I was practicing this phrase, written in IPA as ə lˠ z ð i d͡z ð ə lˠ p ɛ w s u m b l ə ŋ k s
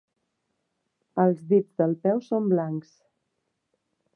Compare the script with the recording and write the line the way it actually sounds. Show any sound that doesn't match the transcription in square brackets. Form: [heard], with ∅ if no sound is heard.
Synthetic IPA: ə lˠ z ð i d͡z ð ə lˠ p ɛ w s [o] m b l [a] ŋ k s

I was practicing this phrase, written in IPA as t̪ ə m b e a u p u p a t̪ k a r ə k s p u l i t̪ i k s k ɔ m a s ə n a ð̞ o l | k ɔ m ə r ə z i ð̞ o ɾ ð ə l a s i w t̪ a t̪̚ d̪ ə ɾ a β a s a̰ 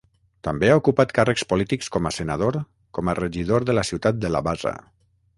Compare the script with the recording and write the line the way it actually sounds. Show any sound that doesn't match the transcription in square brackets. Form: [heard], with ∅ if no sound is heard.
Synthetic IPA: t̪ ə m b e a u [k] u p a t̪ k a r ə k s p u l i t̪ i k s k ɔ m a s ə n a ð̞ o [ɾ] | k ɔ m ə r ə [ʒ] i ð̞ o ɾ ð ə l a s i w t̪ a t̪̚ d̪ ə [l] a β a [z] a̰

